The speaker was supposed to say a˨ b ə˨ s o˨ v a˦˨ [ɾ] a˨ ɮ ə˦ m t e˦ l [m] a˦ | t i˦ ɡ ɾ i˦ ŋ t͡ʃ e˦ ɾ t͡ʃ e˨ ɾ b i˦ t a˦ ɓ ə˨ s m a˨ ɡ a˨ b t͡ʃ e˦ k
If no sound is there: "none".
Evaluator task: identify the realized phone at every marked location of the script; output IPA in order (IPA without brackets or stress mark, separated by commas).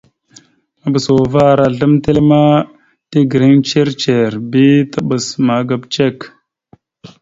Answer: ɾ, m